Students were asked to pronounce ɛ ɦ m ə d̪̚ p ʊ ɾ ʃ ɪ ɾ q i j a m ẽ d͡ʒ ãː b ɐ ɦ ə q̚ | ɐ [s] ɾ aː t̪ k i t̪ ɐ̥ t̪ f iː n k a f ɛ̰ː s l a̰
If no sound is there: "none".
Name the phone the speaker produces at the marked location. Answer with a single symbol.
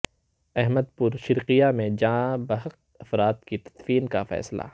f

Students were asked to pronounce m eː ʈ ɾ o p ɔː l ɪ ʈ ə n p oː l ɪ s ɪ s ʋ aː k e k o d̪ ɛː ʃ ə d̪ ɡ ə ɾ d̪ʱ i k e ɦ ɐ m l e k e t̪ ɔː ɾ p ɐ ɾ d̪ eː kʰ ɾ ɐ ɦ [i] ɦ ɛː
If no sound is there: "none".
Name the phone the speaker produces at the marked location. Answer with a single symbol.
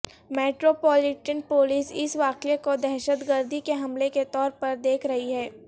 i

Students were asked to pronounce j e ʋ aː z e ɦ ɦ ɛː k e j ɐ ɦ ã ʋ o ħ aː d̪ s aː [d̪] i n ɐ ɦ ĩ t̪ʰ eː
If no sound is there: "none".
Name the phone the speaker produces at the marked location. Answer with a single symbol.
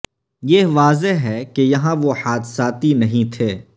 t̪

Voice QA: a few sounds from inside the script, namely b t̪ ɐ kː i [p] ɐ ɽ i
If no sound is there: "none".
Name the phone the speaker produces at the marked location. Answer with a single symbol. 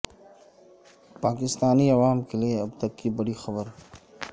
b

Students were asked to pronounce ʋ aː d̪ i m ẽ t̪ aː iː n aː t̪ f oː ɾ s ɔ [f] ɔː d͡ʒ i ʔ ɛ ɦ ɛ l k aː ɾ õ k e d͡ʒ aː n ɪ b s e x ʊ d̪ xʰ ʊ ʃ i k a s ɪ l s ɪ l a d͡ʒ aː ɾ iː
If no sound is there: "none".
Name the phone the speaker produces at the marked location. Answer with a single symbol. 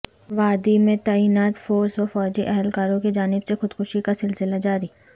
f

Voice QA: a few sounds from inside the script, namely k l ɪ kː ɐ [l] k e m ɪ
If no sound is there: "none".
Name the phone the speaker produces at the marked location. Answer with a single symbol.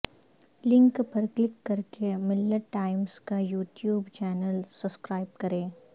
ɾ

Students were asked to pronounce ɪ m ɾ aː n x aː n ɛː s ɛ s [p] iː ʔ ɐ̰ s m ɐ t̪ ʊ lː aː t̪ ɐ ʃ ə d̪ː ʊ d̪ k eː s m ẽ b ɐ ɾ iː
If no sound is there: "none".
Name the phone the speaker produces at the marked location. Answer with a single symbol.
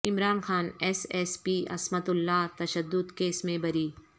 p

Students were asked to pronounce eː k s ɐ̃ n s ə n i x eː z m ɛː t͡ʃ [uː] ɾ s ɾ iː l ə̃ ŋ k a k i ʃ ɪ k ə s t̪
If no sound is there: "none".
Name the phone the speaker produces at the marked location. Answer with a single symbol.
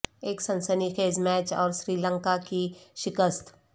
ɔː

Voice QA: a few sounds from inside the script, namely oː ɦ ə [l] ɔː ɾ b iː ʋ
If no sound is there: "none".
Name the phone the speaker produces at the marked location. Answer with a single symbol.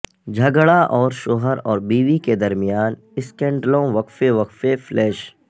ɾ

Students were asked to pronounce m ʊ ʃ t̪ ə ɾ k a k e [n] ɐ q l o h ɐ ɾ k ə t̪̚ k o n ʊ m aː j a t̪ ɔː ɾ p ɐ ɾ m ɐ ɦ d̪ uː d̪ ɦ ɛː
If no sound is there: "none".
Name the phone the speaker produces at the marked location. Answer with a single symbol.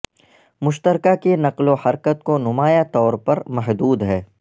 n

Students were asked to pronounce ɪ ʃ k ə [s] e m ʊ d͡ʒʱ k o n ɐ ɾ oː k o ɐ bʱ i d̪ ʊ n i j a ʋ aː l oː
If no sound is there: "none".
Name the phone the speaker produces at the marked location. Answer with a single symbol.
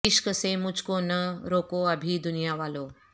s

